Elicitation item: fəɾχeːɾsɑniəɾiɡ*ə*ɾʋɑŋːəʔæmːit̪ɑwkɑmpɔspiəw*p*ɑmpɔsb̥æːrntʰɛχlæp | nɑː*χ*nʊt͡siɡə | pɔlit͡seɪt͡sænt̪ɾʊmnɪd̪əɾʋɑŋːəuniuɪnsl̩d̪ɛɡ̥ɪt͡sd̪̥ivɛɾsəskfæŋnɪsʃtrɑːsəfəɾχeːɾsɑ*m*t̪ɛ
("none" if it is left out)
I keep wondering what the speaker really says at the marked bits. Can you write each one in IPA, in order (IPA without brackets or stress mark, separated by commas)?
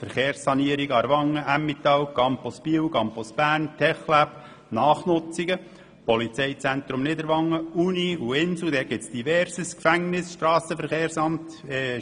ɑ, k, χ, m